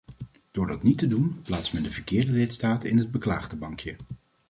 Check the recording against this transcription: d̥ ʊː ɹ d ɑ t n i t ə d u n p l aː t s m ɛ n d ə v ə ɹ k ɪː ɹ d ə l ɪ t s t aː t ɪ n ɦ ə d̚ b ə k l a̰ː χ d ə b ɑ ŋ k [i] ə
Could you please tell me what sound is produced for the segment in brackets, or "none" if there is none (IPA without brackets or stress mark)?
j